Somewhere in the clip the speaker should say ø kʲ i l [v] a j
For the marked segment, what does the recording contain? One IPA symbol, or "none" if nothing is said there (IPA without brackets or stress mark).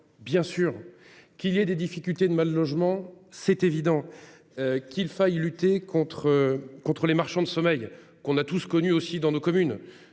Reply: f